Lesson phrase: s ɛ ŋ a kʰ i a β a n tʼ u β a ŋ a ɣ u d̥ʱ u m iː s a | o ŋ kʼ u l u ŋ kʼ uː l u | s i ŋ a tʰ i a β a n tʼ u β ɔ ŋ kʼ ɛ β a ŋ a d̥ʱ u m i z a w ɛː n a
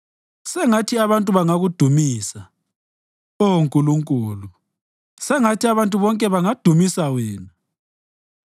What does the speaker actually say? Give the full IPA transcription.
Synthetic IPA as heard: s ɛ ŋ a tʰ i a β a n tʼ u β a ŋ a ɣ u d̥ʱ u m iː s a | o ŋ kʼ u l u ŋ kʼ uː l u | s ɛ ŋ a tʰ i a β a n tʼ u β ɔ ŋ kʼ ɛ β a ŋ a d̥ʱ u m i s a w ɛː n a